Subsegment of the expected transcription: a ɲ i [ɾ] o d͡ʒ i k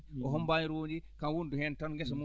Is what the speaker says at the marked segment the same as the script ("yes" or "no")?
yes